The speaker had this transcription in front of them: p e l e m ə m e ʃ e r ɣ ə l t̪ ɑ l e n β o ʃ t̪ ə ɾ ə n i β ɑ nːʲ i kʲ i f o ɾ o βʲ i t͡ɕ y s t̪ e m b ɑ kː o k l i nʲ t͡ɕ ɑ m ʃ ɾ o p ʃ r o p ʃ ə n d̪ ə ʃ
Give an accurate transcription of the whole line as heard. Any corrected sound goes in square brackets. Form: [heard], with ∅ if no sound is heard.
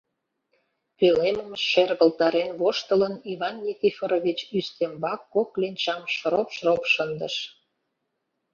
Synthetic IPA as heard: p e l e m ə m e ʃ e r ɣ ə l t̪ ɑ [ɾ] e n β o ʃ t̪ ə [l] ə n i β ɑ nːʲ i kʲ i f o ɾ o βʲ i t͡ɕ y s t̪ e m b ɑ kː o k l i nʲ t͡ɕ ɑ m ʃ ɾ o p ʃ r o p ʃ ə n d̪ ə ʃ